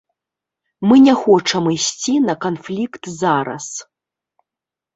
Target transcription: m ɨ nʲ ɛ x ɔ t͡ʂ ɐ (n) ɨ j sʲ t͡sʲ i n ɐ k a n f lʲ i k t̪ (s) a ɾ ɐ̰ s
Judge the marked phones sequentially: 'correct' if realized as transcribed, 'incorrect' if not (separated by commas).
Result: incorrect, incorrect